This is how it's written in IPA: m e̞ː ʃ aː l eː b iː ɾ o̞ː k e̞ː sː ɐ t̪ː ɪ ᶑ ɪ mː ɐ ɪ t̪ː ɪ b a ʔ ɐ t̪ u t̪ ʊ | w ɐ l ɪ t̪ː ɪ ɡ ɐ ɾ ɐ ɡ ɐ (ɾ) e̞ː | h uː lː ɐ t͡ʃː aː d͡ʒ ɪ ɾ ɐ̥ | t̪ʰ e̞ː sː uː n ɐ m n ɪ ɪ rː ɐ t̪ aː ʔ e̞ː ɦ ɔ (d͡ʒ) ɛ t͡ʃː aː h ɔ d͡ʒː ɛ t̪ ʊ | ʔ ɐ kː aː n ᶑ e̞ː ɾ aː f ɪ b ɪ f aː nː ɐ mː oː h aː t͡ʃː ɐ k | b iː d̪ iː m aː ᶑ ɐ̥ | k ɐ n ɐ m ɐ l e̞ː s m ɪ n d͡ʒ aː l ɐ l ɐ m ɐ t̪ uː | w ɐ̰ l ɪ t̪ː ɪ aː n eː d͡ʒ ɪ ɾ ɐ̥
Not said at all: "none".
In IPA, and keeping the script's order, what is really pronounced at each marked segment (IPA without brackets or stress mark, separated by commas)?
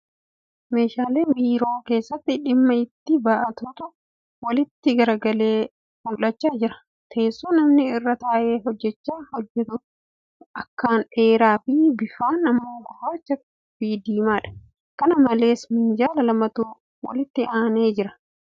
l, d͡ʒː